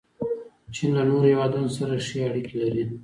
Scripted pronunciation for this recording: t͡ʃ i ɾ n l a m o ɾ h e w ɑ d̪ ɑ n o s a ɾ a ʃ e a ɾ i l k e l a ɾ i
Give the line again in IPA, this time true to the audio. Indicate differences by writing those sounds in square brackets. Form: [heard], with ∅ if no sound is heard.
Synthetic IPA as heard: t͡ʃ i [∅] n l a [n] o ɾ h e w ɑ d̪ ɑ n o s a ɾ a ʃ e a [ɽ] i [∅] k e l a ɾ i